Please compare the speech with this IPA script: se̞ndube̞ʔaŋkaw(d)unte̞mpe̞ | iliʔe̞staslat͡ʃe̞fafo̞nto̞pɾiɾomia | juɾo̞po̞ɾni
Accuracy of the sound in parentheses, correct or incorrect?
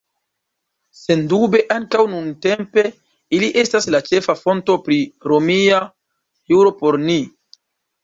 incorrect